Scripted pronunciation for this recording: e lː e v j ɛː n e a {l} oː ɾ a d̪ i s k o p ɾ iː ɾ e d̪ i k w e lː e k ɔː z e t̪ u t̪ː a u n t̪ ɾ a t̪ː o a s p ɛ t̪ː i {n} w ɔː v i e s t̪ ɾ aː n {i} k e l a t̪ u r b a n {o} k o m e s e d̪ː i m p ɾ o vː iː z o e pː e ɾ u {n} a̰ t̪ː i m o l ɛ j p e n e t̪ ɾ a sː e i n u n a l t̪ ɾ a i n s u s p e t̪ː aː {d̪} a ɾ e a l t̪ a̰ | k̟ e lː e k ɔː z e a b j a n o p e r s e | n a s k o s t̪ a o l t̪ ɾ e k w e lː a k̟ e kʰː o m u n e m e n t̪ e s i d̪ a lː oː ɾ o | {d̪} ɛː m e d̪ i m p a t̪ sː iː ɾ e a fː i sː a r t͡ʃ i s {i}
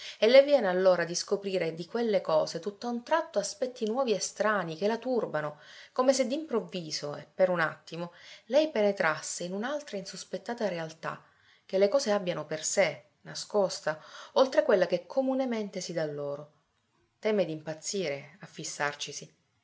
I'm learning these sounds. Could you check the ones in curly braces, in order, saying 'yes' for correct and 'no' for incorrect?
no, yes, yes, yes, yes, no, no, yes

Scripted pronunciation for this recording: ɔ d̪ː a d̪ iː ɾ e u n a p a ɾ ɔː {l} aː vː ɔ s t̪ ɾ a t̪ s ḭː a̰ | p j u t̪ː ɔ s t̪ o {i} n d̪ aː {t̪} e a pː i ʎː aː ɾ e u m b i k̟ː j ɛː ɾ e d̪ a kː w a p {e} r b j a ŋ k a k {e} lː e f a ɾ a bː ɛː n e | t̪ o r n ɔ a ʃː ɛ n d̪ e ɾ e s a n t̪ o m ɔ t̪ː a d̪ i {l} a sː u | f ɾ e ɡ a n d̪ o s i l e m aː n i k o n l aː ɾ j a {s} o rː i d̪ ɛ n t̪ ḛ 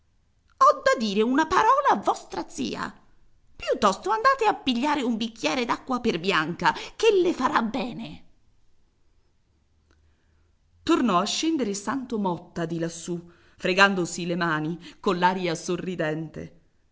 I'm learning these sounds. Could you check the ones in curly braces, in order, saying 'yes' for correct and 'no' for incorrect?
yes, no, yes, yes, yes, yes, yes

